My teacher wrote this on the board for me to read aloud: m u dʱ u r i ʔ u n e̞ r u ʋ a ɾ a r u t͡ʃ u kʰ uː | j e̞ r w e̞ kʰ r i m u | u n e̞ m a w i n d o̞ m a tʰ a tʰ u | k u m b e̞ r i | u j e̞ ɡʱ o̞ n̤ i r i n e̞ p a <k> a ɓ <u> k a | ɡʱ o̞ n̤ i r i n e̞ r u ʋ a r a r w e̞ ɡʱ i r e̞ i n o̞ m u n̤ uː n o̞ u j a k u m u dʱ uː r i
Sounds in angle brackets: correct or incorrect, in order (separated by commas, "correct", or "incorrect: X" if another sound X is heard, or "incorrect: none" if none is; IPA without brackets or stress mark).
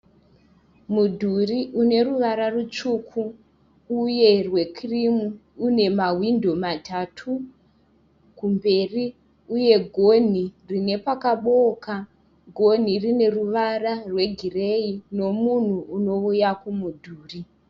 correct, incorrect: o